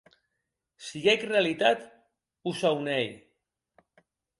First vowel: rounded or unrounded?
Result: unrounded